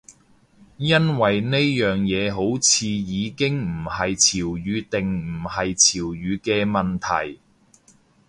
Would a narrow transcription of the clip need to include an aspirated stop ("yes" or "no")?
yes